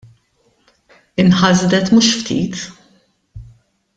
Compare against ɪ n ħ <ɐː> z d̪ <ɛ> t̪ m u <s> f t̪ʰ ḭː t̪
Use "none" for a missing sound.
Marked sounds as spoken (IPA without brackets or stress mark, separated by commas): ɐ, ɛ, ʃ